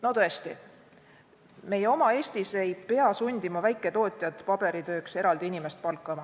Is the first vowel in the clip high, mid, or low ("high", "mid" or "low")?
mid